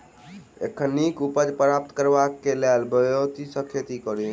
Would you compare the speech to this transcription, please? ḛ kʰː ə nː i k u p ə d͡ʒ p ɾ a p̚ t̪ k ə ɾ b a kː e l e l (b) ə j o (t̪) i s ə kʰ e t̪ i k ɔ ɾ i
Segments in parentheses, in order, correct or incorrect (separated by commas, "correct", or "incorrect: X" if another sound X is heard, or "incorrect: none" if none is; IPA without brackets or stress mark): correct, correct